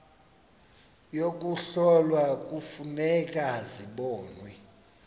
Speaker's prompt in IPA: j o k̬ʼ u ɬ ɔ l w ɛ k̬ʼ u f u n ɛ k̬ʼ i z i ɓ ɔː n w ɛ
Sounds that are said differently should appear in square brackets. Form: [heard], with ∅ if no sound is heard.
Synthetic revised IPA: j o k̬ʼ u ɬ ɔ l w [a] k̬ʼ u f u n ɛ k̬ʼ [a] z i ɓ ɔː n w ɛ